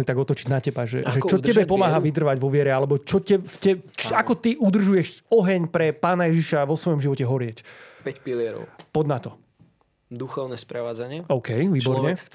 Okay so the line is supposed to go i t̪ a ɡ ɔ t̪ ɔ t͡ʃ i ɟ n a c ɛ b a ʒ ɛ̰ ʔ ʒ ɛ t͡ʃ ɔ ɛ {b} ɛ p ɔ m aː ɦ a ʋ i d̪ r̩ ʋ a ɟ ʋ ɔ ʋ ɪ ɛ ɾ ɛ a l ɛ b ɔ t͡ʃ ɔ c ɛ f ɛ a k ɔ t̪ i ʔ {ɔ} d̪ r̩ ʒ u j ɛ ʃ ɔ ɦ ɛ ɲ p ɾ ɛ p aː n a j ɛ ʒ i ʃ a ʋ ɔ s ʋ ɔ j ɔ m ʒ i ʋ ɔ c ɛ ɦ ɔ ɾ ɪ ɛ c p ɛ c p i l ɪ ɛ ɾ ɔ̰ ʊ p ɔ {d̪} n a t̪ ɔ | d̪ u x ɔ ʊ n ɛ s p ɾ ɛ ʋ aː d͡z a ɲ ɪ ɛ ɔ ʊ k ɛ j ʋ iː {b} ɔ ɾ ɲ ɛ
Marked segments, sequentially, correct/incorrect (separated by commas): correct, incorrect, correct, correct